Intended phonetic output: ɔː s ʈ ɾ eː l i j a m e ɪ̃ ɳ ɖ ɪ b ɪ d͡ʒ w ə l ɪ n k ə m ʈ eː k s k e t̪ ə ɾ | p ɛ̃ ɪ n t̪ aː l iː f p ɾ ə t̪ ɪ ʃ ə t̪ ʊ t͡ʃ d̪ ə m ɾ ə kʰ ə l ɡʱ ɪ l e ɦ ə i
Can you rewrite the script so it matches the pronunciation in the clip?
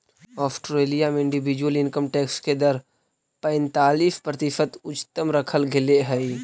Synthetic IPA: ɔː s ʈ ɾ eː l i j a m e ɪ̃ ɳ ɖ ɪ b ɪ d͡ʒ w ə l ɪ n k ə m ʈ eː k s k e d̪ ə ɾ | p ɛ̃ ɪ n t̪ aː l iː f p ɾ ə t̪ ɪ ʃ ə t̪ ʊ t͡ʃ t̪ ə m ɾ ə kʰ ə l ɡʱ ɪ l e ɦ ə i